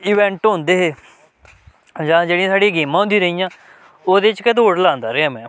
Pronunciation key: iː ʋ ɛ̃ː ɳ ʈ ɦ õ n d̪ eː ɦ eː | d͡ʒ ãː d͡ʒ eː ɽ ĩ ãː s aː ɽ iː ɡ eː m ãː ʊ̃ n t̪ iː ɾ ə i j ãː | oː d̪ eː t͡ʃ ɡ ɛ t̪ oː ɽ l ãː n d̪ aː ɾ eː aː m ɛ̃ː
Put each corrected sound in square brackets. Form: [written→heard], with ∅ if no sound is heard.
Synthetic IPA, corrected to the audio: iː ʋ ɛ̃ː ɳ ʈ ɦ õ n d̪ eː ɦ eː | d͡ʒ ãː d͡ʒ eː ɽ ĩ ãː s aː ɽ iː ɡ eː m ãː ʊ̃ n [t̪→d̪] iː ɾ ə i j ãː | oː d̪ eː t͡ʃ [ɡ→k] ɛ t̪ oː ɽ l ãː n d̪ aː ɾ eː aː m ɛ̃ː

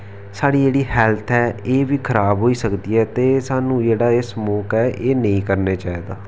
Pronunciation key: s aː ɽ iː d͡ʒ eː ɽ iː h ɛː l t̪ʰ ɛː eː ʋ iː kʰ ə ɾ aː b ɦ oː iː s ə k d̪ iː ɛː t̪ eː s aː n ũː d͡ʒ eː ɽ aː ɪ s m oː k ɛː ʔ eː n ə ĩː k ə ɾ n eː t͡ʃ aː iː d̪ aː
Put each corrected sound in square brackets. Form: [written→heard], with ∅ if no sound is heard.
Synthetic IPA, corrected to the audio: s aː ɽ iː d͡ʒ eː ɽ iː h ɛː l t̪ʰ ɛː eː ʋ iː kʰ ə ɾ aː b ɦ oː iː s ə k d̪ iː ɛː t̪ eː s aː n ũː d͡ʒ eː ɽ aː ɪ s m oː k ɛː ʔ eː n ə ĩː k ə ɾ n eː t͡ʃ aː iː d̪ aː

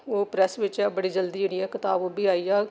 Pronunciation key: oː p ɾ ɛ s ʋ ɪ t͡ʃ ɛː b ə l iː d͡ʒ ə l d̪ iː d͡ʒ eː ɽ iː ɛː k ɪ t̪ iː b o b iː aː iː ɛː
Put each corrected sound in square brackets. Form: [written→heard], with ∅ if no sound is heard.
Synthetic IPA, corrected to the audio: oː p ɾ ɛ s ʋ ɪ t͡ʃ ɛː b ə [l→ɽ] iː d͡ʒ ə l d̪ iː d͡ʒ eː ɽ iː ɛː k ɪ t̪ [iː→aː] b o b iː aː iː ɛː

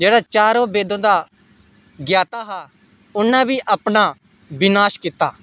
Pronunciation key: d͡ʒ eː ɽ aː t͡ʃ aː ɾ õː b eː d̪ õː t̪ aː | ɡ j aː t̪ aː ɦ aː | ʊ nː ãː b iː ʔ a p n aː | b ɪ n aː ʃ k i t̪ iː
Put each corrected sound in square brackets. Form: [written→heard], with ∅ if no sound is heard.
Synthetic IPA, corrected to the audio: d͡ʒ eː ɽ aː t͡ʃ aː ɾ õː b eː d̪ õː [t̪→d̪] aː | ɡ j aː t̪ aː ɦ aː | ʊ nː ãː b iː ʔ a p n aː | b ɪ n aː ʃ k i t̪ [iː→aː]

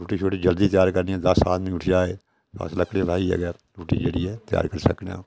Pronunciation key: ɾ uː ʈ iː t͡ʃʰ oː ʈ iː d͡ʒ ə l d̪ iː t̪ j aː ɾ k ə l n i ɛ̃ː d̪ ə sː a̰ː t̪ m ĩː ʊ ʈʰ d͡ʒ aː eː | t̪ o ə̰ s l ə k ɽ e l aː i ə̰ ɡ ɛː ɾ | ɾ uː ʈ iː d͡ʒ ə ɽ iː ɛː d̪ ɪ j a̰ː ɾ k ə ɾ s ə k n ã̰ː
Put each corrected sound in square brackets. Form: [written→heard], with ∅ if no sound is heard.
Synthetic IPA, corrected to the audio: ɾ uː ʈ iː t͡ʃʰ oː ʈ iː d͡ʒ ə l d̪ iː t̪ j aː ɾ k ə [l→ɾ] n i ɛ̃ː d̪ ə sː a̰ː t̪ m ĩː ʊ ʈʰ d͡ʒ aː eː | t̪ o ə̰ s l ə k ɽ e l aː i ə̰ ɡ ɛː ɾ | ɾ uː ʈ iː d͡ʒ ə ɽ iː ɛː [d̪→t̪] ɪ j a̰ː ɾ k ə ɾ s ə k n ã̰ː

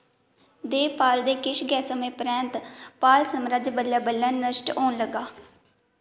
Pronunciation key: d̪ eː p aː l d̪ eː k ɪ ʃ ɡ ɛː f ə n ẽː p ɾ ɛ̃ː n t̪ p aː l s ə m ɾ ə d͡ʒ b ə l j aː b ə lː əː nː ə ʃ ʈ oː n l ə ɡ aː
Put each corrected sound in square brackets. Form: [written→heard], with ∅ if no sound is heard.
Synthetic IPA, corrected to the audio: d̪ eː p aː l d̪ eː k ɪ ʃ ɡ ɛː [f→s] ə [n→m] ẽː p ɾ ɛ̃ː n t̪ p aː l s ə m ɾ ə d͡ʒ b ə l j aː b ə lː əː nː ə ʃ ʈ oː n l ə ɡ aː

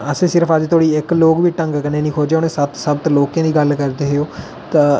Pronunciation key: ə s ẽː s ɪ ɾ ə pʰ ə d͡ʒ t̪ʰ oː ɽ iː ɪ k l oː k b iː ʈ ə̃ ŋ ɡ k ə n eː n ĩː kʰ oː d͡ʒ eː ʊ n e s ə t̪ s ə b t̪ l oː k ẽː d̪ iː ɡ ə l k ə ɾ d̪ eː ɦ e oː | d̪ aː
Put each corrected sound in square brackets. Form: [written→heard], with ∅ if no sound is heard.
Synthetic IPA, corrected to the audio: ə s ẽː s ɪ ɾ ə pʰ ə d͡ʒ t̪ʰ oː ɽ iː ɪ k l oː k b iː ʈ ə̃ ŋ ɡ k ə n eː n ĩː kʰ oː d͡ʒ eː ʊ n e s ə t̪ s ə b t̪ l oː k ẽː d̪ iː ɡ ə l k ə ɾ d̪ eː ɦ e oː | [d̪→t̪] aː

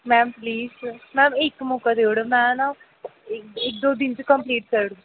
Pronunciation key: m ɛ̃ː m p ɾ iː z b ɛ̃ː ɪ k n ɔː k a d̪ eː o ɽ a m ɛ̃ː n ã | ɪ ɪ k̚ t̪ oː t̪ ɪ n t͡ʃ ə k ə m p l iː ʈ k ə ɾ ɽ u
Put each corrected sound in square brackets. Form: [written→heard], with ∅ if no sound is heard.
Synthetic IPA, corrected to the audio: m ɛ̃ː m p [ɾ→l] iː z [b→m] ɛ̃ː ɪ k [n→m] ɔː k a d̪ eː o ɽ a m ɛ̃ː n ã | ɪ ɪ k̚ [t̪→d̪] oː [t̪→d̪] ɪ n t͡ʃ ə k ə m p l iː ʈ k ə ɾ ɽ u

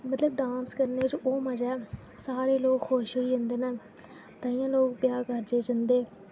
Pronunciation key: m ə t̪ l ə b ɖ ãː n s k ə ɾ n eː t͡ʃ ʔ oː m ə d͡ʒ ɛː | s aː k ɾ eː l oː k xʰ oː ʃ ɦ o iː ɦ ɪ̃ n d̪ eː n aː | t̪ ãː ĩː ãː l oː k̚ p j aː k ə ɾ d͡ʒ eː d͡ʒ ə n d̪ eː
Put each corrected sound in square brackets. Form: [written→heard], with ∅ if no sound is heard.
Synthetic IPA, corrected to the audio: m ə t̪ l ə b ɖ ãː n s k ə ɾ n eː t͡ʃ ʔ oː m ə d͡ʒ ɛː | s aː [k→∅] ɾ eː l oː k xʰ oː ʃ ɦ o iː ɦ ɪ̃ n d̪ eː n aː | t̪ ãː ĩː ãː l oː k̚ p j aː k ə ɾ d͡ʒ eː d͡ʒ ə n d̪ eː

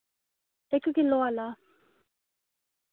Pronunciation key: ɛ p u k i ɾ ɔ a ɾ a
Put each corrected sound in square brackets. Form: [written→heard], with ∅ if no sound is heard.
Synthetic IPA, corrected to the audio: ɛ [p→k] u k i [ɾ→l] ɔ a [ɾ→l] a

